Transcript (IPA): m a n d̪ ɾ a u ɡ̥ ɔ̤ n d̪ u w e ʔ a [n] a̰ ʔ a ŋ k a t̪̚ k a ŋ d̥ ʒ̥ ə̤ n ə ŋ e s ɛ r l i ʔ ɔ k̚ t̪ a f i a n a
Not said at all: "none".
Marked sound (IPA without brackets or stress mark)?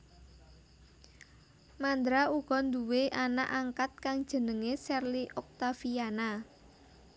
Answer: n